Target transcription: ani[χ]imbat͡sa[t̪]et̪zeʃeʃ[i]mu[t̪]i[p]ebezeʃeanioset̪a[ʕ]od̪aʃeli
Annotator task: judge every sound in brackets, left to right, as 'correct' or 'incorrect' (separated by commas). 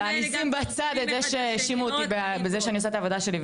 incorrect, incorrect, correct, correct, incorrect, incorrect